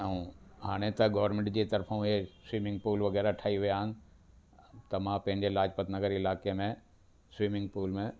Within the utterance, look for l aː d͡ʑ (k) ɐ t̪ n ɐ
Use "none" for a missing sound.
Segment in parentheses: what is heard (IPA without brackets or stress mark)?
p